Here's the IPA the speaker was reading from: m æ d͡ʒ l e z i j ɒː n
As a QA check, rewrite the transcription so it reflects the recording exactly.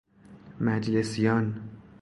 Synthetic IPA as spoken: m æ d͡ʒ l e s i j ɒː n